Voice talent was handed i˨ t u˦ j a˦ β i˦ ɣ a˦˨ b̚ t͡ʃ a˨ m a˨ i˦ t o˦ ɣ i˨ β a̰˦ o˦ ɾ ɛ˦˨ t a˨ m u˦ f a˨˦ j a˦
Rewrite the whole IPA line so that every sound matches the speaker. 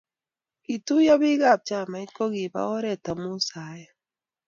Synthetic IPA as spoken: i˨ t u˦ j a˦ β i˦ ɣ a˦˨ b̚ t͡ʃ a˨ m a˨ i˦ k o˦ ɣ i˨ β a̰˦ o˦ ɾ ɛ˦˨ t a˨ m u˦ s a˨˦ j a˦